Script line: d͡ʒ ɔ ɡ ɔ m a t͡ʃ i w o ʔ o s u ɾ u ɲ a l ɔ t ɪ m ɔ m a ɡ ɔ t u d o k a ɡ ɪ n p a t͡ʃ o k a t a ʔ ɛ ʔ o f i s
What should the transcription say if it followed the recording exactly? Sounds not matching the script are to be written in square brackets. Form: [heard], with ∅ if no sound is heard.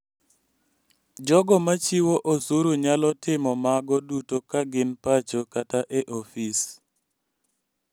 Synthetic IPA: d͡ʒ ɔ ɡ ɔ m a t͡ʃ i w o ʔ o s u ɾ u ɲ a l ɔ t ɪ m ɔ m a ɡ ɔ [d] u [t] o k a ɡ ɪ n p a t͡ʃ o k a t a ʔ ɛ ʔ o f i s